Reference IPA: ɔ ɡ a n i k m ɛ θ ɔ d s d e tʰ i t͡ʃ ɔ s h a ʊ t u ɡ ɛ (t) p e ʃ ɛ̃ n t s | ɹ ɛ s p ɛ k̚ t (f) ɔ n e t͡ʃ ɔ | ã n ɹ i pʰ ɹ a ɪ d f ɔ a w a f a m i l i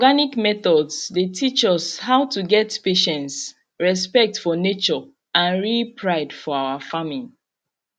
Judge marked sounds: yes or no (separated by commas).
yes, yes